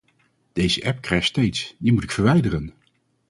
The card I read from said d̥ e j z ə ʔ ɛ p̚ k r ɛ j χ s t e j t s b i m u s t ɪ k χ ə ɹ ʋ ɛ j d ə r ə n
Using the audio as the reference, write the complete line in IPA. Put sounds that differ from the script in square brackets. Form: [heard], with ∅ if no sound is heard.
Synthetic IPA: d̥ e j z ə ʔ ɛ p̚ k r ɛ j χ s t e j t s [d] i m u [∅] t ɪ k [f] ə ɹ ʋ ɛ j d ə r ə n